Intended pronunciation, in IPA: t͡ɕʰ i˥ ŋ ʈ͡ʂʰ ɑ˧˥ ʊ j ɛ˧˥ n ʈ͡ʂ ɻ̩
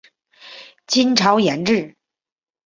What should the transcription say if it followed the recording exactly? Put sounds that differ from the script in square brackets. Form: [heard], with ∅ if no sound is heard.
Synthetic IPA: [t͡ɕ] i˥ [n] ʈ͡ʂʰ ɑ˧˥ ʊ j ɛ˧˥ n ʈ͡ʂ ɻ̩